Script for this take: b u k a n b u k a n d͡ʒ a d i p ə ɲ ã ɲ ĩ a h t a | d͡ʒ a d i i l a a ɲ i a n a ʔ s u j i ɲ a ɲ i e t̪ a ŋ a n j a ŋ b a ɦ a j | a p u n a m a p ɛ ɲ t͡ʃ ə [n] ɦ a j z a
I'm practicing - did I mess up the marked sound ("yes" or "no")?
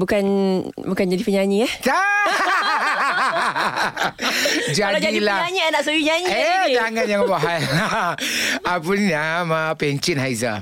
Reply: no